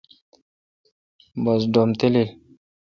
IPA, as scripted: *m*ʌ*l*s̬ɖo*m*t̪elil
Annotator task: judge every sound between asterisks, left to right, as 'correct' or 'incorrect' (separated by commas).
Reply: incorrect, incorrect, correct